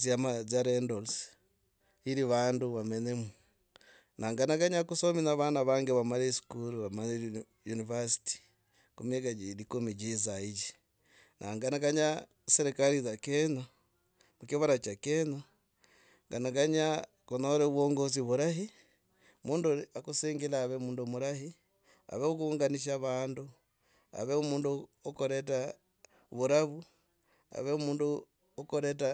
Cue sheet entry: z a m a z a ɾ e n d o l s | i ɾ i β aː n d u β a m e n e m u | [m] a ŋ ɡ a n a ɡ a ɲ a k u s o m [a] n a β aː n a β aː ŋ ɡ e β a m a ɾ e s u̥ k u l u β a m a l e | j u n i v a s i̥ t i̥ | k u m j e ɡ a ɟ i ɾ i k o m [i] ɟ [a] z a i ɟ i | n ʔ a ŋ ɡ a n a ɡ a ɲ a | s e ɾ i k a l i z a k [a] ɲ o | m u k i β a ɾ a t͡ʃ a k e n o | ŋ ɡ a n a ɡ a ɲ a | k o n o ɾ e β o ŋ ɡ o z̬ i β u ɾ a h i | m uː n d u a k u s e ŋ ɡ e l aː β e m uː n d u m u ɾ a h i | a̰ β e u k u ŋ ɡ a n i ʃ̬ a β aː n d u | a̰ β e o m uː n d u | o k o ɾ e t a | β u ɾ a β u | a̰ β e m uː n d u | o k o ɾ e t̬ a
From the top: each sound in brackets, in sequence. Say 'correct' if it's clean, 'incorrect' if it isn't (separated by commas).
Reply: incorrect, incorrect, correct, incorrect, incorrect